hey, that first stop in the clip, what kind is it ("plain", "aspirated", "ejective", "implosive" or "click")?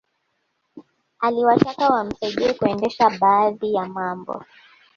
plain